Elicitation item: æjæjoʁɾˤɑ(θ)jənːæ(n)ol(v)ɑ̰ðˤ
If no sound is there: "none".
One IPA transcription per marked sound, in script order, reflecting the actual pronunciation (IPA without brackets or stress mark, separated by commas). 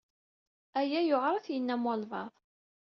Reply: θ, m, v